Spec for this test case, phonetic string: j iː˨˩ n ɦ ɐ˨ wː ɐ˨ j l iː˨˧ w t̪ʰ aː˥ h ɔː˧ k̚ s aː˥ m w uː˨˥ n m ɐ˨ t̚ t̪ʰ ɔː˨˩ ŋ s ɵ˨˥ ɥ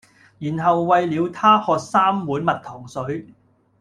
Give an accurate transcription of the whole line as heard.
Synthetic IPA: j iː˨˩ n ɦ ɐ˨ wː ɐ˨ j l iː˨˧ w t̪ʰ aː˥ h ɔː˧ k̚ s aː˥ m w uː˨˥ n m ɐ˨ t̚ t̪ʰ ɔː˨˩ ŋ s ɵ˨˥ ɥ